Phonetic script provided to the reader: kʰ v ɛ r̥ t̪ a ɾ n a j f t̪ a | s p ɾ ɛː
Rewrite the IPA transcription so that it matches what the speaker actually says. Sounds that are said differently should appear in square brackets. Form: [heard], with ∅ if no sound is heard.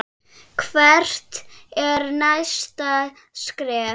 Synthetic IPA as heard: kʰ v ɛ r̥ t̪ [ɛ] ɾ n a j [s] t̪ a | s [k] ɾ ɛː